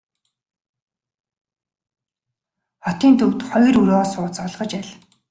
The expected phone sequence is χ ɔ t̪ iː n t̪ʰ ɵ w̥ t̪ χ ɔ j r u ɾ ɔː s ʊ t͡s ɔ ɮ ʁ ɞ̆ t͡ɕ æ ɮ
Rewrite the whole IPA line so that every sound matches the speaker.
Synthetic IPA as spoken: χ ɔ t̪ iː n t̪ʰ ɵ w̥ t̪ χ ɔ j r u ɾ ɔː s ʊː t͡s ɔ ɮ ʁ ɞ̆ t͡ɕ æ ɮ